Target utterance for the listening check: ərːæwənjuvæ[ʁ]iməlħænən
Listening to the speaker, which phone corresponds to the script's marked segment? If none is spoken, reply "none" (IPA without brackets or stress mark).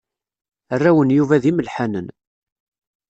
ð